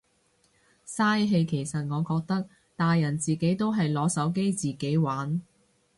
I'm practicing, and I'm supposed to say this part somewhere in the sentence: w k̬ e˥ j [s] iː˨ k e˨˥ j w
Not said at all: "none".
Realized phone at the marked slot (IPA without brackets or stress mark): t͡s